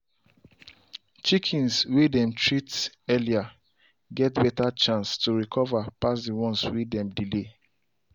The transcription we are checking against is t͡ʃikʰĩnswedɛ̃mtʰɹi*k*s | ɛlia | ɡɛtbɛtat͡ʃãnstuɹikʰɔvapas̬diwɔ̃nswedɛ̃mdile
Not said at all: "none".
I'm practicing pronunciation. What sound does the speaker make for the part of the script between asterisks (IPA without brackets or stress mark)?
t